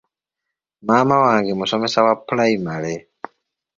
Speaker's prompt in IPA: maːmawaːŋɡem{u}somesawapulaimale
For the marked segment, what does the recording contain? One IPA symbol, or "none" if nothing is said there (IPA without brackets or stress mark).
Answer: u